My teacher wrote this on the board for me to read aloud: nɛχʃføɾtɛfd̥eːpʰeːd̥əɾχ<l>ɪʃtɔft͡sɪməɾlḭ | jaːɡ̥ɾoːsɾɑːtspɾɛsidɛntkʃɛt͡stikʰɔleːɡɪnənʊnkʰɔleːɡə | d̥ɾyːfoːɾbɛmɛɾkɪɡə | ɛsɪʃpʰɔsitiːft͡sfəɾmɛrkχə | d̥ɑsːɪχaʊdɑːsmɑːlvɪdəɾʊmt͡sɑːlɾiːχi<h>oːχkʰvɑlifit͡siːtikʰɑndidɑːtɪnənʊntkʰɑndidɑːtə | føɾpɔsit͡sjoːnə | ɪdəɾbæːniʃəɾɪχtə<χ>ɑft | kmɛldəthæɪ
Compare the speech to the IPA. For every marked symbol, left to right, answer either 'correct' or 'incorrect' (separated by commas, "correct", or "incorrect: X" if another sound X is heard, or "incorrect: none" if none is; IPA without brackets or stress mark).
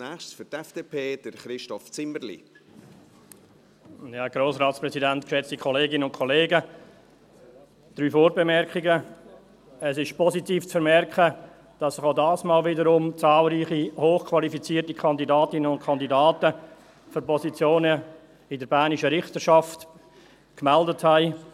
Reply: incorrect: ɾ, correct, incorrect: ʃ